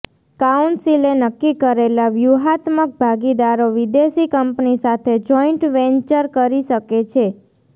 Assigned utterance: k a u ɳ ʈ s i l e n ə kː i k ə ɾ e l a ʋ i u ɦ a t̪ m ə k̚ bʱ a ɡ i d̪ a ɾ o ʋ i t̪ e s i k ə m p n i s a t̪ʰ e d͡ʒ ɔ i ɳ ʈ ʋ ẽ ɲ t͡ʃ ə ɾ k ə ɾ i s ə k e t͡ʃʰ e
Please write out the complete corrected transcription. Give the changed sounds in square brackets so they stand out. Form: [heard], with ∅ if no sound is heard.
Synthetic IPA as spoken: k a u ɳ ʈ s i l e n ə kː i k ə ɾ e l a ʋ [j] u ɦ a t̪ m ə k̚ bʱ a ɡ i d̪ a ɾ o ʋ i [d̪] e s i k ə m p n i s a t̪ʰ e d͡ʒ ɔ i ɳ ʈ ʋ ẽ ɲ t͡ʃ ə ɾ k ə ɾ i [ʃ] ə k e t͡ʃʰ e